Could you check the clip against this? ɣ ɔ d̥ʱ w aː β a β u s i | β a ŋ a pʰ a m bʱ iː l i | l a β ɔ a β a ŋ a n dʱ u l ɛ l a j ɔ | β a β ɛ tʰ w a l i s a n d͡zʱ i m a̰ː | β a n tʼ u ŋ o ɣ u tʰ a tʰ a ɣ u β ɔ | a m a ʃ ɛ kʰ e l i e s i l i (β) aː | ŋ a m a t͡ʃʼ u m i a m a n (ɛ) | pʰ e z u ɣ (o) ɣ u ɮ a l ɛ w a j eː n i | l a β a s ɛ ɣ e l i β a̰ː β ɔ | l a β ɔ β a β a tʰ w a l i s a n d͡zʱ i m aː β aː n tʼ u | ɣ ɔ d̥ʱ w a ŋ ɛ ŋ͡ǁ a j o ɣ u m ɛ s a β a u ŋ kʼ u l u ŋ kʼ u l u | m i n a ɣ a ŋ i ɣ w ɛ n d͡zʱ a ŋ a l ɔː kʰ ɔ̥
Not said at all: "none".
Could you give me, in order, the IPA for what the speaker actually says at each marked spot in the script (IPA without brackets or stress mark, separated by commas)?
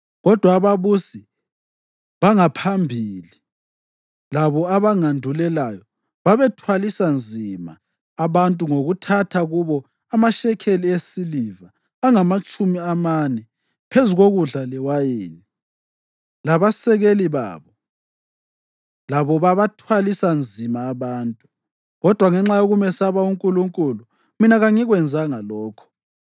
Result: v, ɛ, o